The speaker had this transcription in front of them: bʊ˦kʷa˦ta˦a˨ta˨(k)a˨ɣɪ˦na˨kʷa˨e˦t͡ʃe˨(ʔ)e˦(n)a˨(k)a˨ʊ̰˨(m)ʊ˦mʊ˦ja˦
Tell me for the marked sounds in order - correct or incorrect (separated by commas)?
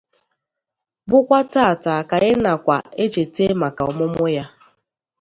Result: correct, incorrect, incorrect, correct, correct